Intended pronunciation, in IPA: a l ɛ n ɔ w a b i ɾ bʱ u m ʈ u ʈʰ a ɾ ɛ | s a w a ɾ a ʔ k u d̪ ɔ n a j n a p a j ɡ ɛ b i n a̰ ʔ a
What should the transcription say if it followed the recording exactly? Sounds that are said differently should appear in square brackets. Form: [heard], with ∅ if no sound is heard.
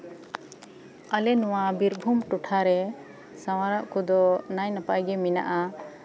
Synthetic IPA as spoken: a l ɛ n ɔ w a b i ɾ bʱ u m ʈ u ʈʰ a ɾ ɛ | s a w a ɾ a ʔ k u d̪ ɔ n a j n a p a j ɡ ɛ [m] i n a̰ ʔ a